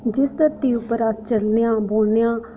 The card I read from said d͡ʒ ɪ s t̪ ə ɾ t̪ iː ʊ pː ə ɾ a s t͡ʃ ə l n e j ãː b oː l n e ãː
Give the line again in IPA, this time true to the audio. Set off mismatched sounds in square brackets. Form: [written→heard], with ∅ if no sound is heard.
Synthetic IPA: d͡ʒ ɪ s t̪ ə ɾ t̪ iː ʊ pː ə ɾ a s t͡ʃ ə l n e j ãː b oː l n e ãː